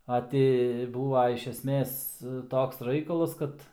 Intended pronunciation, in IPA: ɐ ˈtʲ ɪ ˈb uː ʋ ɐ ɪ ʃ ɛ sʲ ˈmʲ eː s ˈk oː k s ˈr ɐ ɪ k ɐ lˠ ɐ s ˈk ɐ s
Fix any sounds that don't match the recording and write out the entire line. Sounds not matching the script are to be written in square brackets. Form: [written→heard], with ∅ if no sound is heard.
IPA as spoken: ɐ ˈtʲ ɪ ˈb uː ʋ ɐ ɪ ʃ ɛ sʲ ˈmʲ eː s [ˈk→ˈt] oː k s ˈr ɐ ɪ k ɐ lˠ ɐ s ˈk ɐ [s→t]